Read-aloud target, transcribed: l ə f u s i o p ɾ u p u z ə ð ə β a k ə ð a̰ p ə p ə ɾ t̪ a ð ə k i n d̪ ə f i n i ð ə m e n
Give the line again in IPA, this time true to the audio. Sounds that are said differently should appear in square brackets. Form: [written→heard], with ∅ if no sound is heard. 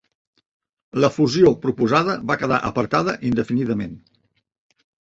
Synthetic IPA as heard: l ə f u [s→z] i o p ɾ u p u z [ə→a] ð ə β a k ə ð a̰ [p→ʔ] ə p ə ɾ t̪ a ð ə [k→ʔ] i n d̪ ə f i n i ð ə m e n